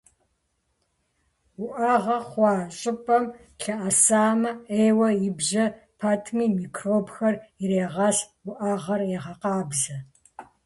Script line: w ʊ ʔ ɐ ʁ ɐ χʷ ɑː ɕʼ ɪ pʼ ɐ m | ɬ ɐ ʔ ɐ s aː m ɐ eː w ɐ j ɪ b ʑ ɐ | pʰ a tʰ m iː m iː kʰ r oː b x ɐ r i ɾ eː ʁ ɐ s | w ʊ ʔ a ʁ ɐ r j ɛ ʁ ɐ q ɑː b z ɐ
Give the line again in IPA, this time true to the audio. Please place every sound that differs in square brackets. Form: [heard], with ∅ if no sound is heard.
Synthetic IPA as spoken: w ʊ ʔ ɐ ʁ ɐ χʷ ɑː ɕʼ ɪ pʼ ɐ m | ɬ ɐ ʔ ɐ s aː m ɐ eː w ɐ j ɪ b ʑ ɐ | pʰ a tʰ m iː m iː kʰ r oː b x ɐ r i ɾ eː ʁ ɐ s | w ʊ ʔ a ʁ ɐ r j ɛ ʁ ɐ q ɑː b z ɐ

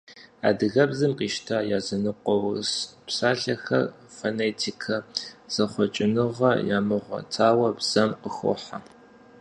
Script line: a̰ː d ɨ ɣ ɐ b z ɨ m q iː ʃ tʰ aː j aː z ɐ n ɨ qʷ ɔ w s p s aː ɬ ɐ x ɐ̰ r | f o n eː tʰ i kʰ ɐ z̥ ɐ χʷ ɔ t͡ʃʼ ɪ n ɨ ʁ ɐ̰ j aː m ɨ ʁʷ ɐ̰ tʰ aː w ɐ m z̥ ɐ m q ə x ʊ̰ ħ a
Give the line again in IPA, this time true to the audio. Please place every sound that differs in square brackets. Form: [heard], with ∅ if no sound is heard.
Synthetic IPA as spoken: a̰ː d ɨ ɣ ɐ b z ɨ m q iː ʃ tʰ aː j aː z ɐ n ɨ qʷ ɔ w s p s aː ɬ ɐ x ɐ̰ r | f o n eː tʰ i kʰ ɐ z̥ ɐ χʷ ɔ t͡ʃʼ ɪ n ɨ ʁ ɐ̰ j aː m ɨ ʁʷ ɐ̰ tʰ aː w ɐ [b] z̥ ɐ m q ə x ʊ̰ ħ a

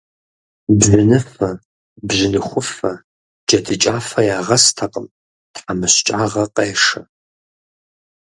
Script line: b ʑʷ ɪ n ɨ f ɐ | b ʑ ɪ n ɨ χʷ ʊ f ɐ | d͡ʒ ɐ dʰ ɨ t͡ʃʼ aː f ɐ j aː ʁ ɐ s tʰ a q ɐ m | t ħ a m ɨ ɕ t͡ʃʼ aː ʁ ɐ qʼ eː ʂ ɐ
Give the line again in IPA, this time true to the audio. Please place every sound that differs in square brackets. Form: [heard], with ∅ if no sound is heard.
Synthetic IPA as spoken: b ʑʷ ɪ n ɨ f ɐ | b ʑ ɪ n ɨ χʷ ʊ f ɐ | d͡ʒ ɐ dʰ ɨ t͡ʃʼ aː f ɐ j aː ʁ ɐ s tʰ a q [ə] m | t ħ a m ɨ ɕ t͡ʃʼ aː ʁ ɐ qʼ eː ʂ ɐ

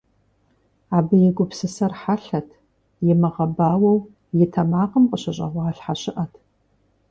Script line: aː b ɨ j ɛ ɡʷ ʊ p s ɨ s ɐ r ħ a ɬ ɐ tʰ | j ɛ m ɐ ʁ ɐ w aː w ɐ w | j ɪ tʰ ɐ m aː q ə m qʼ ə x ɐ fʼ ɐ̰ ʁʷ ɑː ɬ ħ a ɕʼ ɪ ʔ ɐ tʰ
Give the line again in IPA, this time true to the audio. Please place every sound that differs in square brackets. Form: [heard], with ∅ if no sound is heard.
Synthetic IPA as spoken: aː b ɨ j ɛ ɡʷ ʊ p s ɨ s ɐ r ħ a ɬ ɐ tʰ | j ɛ m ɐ ʁ ɐ [b] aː w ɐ w | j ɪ tʰ ɐ m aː q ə m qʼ ə [ɕ] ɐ [ɕʼ] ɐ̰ ʁʷ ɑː ɬ ħ a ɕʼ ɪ ʔ ɐ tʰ

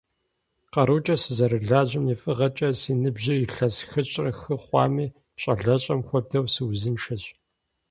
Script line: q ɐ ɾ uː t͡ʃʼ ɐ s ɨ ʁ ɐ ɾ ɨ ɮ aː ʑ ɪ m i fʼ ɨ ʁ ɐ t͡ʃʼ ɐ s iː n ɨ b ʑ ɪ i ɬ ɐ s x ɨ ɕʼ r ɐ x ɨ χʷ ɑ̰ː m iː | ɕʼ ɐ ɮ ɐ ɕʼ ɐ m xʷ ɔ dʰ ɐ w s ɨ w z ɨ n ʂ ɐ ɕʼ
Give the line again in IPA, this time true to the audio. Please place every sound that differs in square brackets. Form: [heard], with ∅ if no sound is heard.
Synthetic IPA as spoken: q ɐ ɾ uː t͡ʃʼ ɐ s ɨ [z] ɐ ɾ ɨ ɮ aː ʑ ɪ m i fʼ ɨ ʁ ɐ t͡ʃʼ ɐ s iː n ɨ b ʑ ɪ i ɬ ɐ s x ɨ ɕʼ r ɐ x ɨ χʷ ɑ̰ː m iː | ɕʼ ɐ ɮ ɐ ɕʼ ɐ m xʷ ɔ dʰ ɐ w s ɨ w z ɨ n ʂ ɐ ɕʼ

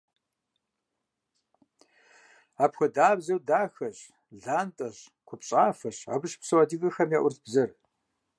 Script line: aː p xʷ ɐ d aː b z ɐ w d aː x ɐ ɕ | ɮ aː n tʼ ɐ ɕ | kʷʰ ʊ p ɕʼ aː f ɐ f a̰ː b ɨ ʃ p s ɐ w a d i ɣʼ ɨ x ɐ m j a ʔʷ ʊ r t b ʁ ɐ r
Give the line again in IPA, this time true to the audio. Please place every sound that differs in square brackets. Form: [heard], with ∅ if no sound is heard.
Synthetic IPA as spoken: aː p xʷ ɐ d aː b z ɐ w d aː x ɐ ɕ | ɮ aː n tʼ ɐ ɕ | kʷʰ ʊ p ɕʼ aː f ɐ [ɕ] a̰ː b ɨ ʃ p s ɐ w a d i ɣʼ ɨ x ɐ m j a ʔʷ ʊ r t b [z] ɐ r

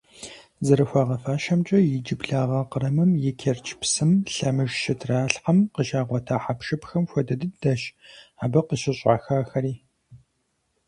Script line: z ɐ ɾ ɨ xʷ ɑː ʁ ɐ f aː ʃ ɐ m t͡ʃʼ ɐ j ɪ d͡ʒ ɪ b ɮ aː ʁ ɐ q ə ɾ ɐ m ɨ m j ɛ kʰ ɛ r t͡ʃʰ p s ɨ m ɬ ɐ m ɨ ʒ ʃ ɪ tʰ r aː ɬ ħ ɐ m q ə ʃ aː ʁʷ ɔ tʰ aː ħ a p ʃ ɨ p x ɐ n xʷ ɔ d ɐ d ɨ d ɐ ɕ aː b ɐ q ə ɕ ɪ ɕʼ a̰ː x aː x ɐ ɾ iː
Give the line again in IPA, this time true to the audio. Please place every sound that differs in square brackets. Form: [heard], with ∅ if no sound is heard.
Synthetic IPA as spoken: z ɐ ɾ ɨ xʷ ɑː ʁ ɐ f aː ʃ ɐ m t͡ʃʼ ɐ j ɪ d͡ʒ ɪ b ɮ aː ʁ ɐ q ə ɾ ɐ m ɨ m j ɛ kʰ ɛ r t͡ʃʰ p s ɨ m ɬ ɐ m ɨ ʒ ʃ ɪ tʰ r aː ɬ ħ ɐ m q ə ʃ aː ʁʷ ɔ tʰ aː ħ a p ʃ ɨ p x ɐ [m] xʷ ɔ d ɐ d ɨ d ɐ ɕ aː b ɐ q ə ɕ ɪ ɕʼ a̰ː x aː x ɐ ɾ iː

